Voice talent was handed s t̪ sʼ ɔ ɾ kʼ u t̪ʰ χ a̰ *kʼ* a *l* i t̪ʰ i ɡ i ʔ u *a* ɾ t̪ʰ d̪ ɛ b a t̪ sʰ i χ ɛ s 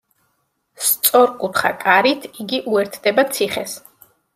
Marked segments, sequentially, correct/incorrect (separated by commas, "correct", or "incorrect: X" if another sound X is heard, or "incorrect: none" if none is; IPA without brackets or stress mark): correct, incorrect: ɾ, incorrect: ɛ